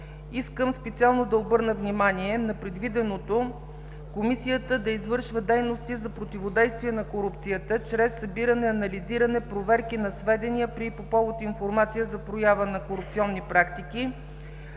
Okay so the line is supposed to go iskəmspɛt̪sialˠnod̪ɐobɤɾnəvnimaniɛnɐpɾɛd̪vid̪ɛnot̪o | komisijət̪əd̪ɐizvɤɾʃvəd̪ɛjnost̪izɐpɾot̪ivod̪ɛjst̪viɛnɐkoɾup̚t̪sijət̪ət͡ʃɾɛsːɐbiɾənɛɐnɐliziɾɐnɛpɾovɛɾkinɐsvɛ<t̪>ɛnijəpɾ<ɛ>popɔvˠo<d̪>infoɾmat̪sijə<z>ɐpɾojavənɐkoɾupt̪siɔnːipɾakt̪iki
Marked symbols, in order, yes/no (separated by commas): no, no, no, yes